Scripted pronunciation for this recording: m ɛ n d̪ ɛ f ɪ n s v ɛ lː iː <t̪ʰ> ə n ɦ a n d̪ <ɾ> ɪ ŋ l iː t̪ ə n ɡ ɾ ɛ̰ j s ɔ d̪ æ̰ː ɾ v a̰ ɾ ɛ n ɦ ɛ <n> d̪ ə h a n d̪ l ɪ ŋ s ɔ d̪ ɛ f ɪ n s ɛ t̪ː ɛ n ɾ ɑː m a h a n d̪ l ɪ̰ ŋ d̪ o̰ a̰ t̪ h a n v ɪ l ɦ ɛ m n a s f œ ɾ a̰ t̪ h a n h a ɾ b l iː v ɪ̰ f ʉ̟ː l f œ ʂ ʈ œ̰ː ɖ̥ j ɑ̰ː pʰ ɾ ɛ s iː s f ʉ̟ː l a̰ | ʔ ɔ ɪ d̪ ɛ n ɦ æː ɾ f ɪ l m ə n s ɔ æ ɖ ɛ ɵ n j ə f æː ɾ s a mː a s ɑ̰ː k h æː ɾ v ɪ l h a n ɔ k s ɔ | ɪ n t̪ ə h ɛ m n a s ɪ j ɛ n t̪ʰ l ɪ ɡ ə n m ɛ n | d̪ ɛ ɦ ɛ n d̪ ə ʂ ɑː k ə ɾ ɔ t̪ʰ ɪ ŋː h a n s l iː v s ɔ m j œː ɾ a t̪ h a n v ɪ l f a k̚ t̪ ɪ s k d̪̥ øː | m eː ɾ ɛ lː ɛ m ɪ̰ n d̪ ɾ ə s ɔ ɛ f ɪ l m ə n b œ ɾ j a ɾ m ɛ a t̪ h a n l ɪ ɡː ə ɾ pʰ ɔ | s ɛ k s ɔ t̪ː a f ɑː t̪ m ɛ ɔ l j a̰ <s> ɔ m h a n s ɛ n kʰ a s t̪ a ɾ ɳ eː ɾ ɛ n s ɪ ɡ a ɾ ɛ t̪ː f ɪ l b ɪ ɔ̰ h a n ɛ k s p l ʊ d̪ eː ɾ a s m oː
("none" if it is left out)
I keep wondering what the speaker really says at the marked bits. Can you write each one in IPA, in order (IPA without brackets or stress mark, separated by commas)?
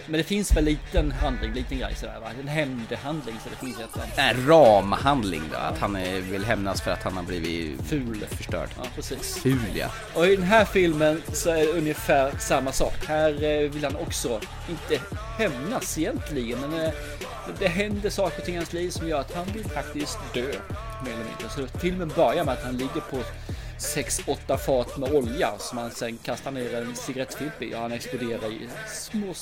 t̪, l, m, s